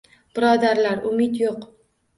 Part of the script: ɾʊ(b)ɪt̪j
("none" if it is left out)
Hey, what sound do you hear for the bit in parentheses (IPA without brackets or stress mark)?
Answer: m